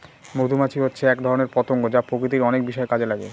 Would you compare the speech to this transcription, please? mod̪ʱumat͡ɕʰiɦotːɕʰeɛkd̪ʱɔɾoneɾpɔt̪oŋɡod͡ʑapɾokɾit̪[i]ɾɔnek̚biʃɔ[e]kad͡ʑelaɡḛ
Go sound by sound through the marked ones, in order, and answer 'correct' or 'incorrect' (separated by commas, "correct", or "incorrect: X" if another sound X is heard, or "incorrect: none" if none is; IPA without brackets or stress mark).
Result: correct, correct